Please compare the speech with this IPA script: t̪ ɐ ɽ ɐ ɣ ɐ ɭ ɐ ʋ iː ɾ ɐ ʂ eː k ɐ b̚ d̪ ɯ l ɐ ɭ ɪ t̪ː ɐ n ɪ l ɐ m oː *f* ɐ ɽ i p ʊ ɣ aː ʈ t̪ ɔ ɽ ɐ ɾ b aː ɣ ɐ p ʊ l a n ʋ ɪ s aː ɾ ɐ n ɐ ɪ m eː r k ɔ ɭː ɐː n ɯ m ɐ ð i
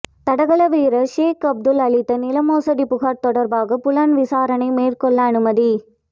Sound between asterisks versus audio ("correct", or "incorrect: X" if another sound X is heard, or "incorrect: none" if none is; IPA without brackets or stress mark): incorrect: s